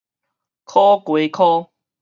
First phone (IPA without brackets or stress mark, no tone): kʰ